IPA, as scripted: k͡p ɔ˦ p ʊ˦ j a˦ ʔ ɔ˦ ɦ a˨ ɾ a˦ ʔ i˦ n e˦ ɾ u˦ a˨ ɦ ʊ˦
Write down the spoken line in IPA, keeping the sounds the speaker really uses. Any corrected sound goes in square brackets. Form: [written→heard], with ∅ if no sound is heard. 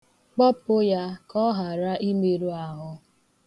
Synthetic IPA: k͡p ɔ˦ p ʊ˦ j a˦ [ʔ→k] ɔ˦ ɦ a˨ ɾ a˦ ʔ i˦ [n→m] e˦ ɾ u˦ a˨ ɦ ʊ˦